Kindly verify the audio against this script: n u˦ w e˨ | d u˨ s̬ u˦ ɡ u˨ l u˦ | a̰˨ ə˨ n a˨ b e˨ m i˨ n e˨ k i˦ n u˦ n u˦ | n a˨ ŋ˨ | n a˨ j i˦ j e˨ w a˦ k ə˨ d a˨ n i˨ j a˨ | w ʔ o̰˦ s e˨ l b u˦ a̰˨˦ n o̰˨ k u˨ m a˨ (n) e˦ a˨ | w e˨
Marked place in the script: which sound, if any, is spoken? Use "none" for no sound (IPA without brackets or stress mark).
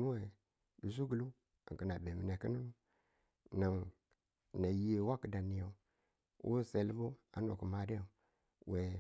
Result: d